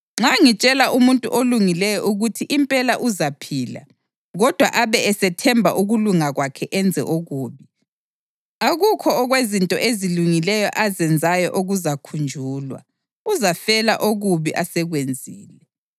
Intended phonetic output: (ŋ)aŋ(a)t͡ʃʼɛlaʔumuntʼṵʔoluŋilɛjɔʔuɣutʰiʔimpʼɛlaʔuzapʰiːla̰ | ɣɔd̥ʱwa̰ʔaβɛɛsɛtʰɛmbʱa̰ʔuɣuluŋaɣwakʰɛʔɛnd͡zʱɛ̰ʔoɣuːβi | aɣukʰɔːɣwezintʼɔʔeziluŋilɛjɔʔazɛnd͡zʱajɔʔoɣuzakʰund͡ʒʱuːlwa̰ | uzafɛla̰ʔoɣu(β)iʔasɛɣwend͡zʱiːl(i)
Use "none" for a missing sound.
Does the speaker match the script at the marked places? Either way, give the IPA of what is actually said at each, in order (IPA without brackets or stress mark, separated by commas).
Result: ŋ͡ǁ, i, β, ɛ